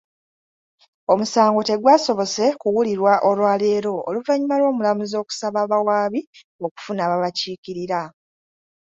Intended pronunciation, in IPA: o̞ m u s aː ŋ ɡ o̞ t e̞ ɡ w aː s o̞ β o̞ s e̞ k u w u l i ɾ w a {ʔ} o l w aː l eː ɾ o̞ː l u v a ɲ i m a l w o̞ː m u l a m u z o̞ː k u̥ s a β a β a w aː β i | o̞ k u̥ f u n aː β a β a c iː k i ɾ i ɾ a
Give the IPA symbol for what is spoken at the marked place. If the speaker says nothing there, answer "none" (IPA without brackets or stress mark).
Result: ʔ